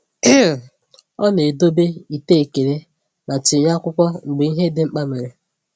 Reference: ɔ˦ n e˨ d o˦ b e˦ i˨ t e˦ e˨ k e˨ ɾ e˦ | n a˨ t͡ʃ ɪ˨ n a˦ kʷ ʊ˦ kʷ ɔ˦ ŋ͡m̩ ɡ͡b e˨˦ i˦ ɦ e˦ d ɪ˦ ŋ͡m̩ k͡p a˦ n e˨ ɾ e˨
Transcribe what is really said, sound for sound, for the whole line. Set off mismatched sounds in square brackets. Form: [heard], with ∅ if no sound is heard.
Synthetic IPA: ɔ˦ n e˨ d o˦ b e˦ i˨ t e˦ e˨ k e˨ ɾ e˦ | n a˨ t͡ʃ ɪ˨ [ɲ] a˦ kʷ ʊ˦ kʷ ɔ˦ ŋ͡m̩ ɡ͡b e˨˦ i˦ ɦ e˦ d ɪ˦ ŋ͡m̩ k͡p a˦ [m] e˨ ɾ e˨